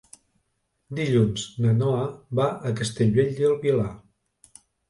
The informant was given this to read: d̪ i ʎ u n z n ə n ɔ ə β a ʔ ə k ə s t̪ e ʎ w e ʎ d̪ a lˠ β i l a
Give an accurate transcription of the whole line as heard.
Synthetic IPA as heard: d̪ i ʎ u n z n ə n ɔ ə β a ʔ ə k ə s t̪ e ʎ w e ʎ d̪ ə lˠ β i l a